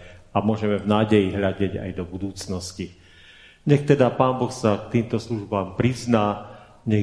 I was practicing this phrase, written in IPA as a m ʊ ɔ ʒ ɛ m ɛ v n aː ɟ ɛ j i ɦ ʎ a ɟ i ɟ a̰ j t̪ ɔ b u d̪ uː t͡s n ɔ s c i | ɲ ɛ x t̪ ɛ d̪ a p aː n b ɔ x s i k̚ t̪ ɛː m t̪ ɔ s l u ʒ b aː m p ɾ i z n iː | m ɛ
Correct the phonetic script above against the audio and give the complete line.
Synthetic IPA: a m ʊ ɔ ʒ ɛ m ɛ v n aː ɟ ɛ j i ɦ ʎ a ɟ ɛ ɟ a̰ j d̪ ɔ b u d̪ uː t͡s n ɔ s c i | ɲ ɛ x t̪ ɛ d̪ a p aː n b ɔ x s a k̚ t̪ iː m t̪ ɔ s l u ʒ b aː m p ɾ i z n aː | ɲ ɛ